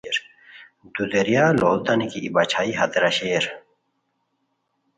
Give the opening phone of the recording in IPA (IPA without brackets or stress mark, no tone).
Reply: ɾ